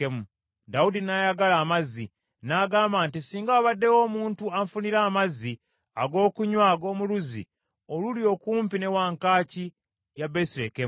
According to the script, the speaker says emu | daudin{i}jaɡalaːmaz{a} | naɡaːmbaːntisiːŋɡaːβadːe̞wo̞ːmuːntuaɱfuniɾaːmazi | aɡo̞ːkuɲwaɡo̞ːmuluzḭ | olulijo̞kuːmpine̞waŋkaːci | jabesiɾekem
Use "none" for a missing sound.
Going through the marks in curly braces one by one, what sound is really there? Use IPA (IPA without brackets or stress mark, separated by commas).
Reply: a, i